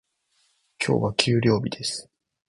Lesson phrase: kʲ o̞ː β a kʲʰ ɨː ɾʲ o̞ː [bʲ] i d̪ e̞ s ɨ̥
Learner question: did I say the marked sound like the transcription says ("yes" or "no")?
yes